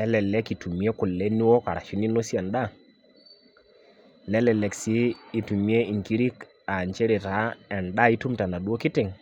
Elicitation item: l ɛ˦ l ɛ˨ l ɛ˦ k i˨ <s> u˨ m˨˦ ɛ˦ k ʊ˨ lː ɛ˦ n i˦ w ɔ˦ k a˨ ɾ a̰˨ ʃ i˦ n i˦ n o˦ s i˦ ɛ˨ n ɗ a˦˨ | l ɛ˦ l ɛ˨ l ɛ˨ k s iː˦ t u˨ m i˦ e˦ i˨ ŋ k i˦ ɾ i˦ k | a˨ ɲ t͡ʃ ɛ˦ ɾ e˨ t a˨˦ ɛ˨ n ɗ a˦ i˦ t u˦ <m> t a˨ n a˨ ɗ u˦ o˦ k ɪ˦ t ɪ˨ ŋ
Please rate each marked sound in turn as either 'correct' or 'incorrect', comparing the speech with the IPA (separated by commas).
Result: incorrect, correct